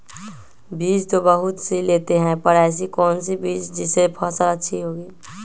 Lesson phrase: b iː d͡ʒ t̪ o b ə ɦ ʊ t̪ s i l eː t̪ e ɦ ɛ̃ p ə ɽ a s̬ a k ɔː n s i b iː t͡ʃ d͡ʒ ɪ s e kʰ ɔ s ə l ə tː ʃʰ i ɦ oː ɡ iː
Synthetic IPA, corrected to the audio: b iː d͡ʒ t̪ o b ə ɦ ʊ t̪ s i l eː t̪ e ɦ ɛ̃ p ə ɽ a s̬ i k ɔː n s i b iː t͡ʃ d͡ʒ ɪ s e pʰ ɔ s ə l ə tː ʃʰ i ɦ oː ɡ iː

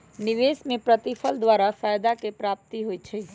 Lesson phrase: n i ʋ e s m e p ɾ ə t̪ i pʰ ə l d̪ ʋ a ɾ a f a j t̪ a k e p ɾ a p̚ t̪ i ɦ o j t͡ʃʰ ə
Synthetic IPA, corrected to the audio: n i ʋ e s m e p ɾ ə t̪ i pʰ ə l d̪ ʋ a ɾ a f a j d̪ a k e p ɾ a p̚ t̪ i ɦ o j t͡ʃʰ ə

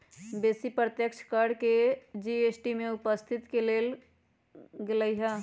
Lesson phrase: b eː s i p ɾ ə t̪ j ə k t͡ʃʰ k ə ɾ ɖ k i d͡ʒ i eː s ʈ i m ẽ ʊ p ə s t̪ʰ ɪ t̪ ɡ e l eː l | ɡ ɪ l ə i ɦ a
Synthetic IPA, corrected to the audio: b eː s i p ɾ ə t̪ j ə k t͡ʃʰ k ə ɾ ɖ k e d͡ʒ i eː s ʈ i m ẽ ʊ p ə s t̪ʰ ɪ t̪ k e l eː l | ɡ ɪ l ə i ɦ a

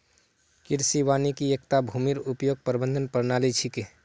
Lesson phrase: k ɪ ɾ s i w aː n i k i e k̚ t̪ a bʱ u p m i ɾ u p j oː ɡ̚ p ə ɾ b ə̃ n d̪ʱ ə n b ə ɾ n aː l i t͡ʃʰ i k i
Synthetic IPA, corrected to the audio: k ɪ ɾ s i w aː n i k i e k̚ t̪ a bʱ u m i ɾ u p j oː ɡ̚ p ə ɾ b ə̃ n d̪ʱ ə n p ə ɾ n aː l i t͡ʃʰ i k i

